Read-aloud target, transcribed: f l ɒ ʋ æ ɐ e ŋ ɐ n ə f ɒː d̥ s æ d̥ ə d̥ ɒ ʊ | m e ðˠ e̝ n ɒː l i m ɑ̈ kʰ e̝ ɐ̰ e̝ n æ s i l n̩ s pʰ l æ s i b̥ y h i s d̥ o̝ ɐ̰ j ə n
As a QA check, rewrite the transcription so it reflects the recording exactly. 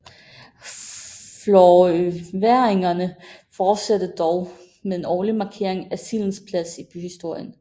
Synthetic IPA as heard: f l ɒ ʋ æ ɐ e ŋ ɐ n ə f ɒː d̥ s æ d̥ ə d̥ ɒ ʊ | m e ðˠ e̝ n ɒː l i m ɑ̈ kʰ e̝ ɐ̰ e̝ ŋ æ s i l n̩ s pʰ l æ s i b̥ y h i s d̥ o̝ ɐ̰ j ə n